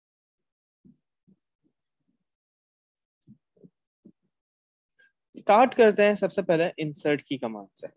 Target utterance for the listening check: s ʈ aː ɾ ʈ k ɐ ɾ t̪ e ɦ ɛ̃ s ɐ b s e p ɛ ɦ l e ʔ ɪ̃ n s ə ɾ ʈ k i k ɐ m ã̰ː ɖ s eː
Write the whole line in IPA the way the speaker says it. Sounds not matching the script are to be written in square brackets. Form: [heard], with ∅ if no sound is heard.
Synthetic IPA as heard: s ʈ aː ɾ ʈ k ɐ ɾ t̪ e ɦ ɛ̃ s ɐ b s e p ɛ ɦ l e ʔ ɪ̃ n s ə ɾ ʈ k i k ɐ m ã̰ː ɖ s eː